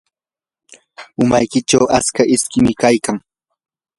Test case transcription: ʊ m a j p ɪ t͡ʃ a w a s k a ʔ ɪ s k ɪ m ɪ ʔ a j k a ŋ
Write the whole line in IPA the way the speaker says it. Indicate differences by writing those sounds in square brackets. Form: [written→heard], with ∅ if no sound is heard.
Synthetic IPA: ʊ m a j [p→k] ɪ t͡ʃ a w a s k a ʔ ɪ s k ɪ m ɪ [ʔ→k] a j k a ŋ